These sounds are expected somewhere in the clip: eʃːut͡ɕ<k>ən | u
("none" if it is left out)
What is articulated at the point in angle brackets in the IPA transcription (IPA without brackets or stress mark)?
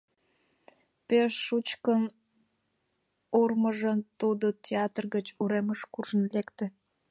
k